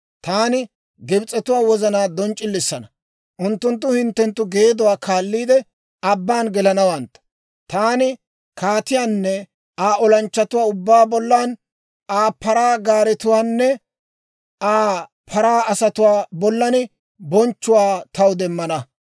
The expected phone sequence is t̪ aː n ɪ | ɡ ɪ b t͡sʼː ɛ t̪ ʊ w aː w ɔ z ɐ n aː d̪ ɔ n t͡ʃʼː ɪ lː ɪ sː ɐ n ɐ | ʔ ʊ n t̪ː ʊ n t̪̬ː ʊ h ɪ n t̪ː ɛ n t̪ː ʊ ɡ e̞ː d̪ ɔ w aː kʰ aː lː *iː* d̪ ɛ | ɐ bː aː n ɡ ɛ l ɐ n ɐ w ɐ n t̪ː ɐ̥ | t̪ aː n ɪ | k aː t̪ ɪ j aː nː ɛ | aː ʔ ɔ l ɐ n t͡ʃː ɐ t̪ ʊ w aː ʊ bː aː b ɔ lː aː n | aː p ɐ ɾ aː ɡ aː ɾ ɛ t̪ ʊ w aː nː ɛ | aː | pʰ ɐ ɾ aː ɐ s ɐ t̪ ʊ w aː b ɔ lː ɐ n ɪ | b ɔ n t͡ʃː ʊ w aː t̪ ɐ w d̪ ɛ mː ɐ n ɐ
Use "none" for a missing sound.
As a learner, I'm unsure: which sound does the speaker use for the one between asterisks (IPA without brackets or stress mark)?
iː